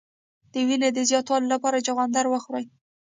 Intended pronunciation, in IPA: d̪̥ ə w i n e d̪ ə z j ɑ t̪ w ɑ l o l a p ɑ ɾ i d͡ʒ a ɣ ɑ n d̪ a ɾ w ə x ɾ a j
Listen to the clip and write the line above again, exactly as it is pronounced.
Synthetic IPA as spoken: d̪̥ ə w i n e d̪ ə z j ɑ t̪ w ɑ l o l a p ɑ ɾ a d͡ʒ a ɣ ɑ n d̪ a ɾ w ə x ɾ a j

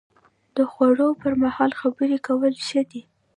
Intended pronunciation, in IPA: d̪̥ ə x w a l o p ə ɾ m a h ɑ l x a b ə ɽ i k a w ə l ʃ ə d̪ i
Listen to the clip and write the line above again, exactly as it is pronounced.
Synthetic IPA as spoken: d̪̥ ə x w a ɽ o p ə ɾ m a h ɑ l x a b ə ɾ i k a w ə l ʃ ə d̪ i

